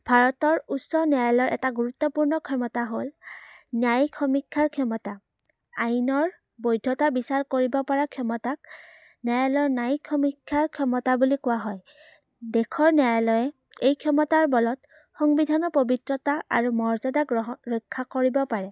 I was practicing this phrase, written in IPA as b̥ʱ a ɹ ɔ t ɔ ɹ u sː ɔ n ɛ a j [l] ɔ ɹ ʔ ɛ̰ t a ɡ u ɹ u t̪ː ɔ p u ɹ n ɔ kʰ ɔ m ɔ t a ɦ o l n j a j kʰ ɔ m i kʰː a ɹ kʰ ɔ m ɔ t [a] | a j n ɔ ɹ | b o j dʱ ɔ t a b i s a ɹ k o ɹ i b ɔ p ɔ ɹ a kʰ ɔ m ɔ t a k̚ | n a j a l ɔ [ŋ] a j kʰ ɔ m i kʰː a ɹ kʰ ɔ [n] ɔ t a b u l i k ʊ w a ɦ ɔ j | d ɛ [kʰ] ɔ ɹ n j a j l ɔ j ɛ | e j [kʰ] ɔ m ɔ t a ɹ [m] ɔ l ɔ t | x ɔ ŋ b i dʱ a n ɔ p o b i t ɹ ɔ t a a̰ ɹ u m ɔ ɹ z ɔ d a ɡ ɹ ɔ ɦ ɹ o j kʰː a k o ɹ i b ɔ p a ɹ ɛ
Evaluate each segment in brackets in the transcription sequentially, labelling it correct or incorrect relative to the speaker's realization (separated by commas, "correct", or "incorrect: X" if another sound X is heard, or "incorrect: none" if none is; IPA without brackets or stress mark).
correct, correct, incorrect: n, incorrect: m, correct, correct, incorrect: b